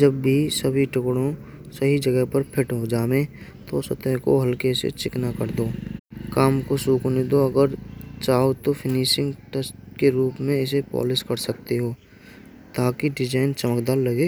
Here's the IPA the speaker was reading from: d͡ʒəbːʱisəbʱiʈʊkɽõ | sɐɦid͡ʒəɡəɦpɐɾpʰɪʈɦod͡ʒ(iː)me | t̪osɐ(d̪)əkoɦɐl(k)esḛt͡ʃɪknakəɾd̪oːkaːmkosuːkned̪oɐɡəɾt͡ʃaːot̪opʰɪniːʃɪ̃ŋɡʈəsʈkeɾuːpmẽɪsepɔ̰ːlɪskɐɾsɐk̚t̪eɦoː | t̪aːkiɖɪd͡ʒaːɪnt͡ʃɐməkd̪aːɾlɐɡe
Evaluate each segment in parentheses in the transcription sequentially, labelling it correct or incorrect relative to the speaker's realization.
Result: incorrect, incorrect, correct

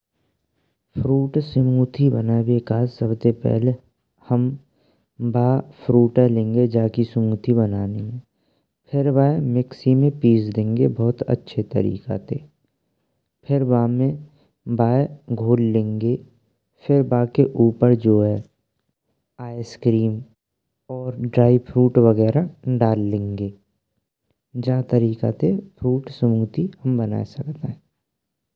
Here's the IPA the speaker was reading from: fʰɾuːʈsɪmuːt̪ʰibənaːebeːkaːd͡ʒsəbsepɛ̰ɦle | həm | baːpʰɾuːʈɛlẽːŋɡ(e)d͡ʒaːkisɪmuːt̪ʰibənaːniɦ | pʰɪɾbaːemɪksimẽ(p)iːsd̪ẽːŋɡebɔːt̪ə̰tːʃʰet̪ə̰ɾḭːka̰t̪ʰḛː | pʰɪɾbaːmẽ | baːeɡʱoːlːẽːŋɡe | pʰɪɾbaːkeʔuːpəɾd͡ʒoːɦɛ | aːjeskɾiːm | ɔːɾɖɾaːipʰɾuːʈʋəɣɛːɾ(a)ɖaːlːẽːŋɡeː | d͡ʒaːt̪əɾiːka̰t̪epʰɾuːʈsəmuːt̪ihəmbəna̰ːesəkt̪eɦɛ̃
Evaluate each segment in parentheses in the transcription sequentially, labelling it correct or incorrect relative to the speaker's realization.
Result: correct, correct, correct

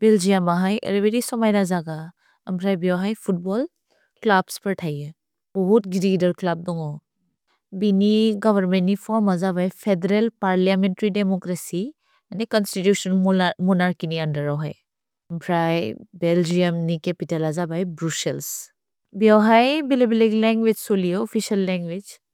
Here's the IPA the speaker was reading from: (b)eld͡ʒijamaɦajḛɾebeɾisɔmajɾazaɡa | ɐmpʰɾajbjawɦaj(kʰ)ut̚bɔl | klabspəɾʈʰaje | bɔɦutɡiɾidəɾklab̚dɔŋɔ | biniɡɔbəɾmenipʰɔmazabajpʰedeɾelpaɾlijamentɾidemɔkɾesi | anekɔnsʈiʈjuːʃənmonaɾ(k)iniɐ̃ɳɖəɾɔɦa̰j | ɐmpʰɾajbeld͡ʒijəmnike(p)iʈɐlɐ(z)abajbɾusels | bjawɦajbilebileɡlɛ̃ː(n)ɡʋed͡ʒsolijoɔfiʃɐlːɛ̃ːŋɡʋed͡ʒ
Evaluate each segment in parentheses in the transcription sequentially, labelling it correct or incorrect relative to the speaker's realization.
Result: correct, incorrect, correct, correct, correct, incorrect

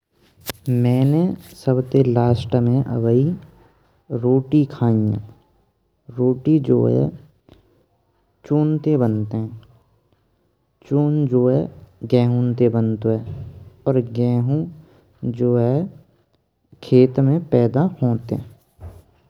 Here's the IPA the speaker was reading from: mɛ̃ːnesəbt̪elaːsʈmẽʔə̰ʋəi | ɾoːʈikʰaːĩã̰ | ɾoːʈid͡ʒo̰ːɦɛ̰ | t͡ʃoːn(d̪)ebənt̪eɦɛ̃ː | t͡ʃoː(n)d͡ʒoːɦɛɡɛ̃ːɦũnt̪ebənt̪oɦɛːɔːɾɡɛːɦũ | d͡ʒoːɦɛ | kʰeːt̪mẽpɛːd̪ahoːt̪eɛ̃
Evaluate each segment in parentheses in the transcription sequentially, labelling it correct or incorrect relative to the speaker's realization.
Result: incorrect, correct

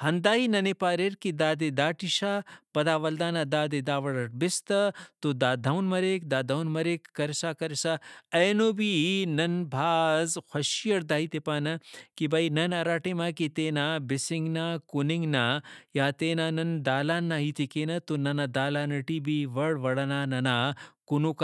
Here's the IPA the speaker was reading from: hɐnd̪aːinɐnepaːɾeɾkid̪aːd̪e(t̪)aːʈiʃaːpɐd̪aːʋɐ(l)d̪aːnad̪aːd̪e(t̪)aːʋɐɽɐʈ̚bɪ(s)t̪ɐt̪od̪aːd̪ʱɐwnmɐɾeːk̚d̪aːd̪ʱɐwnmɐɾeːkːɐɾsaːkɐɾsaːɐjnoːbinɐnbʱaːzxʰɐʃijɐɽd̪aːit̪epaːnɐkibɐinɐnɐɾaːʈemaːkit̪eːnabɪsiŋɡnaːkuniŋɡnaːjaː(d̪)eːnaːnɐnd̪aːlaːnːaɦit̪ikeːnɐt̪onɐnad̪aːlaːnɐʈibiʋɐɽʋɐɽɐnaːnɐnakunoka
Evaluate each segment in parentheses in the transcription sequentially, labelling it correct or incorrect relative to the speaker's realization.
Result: incorrect, correct, incorrect, correct, incorrect

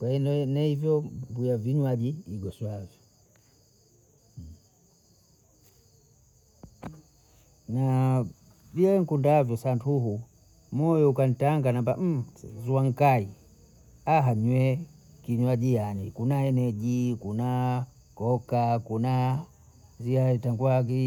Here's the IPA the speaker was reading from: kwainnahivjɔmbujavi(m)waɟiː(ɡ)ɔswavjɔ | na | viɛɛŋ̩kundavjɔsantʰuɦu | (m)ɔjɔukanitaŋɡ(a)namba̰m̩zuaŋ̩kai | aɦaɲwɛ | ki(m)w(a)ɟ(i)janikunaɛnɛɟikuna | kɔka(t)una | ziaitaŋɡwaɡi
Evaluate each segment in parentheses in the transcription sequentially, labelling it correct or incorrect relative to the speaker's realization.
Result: incorrect, correct, correct, correct, incorrect, correct, correct, incorrect

